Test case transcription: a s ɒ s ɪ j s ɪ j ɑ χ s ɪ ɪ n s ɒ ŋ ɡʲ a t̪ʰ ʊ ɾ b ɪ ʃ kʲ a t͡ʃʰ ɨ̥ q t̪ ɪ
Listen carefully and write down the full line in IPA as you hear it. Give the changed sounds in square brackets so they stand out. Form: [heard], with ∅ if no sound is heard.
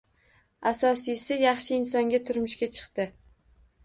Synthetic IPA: a s ɒ s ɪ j s ɪ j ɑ χ [ʃ] ɪ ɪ n s ɒ ŋ ɡʲ a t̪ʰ ʊ ɾ [m] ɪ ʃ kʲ a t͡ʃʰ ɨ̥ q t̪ ɪ